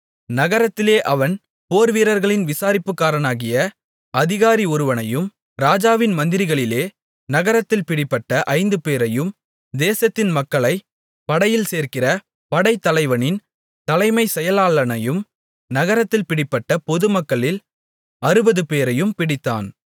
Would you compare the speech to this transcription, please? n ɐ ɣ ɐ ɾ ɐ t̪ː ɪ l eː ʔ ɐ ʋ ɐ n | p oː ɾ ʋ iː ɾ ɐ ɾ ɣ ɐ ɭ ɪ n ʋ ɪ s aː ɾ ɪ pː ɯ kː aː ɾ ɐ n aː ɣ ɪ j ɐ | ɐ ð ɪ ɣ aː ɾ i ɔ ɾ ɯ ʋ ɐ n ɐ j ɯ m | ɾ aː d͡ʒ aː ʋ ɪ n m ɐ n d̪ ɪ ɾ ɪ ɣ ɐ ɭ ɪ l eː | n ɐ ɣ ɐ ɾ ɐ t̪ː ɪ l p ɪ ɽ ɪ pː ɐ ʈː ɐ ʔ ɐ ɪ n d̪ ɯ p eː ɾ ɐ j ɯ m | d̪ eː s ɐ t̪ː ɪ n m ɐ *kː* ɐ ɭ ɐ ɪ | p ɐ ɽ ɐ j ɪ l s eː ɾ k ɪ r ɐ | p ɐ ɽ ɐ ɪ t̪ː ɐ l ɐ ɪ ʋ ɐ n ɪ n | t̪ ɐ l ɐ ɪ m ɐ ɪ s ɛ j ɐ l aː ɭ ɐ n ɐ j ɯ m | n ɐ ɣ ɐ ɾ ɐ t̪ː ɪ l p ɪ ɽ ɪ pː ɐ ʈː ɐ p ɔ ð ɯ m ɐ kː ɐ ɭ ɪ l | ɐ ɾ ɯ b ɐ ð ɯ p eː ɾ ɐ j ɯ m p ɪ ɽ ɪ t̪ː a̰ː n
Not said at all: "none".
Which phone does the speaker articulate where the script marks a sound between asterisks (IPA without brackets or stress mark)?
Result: kː